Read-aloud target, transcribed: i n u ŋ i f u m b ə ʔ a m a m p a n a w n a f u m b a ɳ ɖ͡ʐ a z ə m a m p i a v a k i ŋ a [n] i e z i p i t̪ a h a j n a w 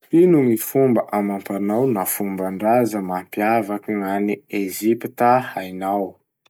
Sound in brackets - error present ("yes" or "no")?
no